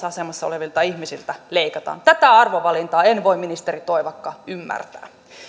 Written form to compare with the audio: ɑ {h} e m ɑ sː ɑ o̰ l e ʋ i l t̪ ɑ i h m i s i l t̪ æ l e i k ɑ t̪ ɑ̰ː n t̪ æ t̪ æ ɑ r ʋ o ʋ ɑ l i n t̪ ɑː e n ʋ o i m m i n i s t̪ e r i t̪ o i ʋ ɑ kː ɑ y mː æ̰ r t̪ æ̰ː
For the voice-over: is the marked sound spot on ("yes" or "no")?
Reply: no